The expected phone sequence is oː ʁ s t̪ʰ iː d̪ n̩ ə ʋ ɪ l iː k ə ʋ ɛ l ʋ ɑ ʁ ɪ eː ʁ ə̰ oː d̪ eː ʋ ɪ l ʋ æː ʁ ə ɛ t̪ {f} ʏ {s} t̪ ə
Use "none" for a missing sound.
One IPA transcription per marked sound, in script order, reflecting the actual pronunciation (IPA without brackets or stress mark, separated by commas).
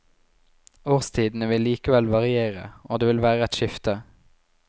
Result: ʃ, f